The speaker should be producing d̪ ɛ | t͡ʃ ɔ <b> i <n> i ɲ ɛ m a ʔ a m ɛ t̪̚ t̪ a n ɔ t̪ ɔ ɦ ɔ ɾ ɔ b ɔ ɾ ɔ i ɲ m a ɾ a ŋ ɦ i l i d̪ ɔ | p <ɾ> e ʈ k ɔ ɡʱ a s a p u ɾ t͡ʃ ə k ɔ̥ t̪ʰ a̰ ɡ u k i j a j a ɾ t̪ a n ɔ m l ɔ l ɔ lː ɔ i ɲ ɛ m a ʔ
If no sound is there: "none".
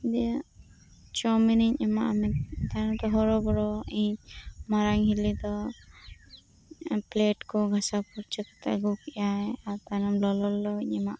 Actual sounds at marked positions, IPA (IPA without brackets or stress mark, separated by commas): m, n, l